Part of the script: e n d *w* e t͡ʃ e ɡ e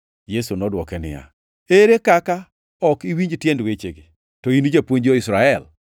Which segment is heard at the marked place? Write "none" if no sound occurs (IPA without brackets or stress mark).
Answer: w